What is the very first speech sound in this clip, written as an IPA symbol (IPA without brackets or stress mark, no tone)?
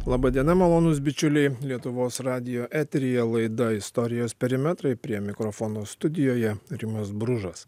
lˠ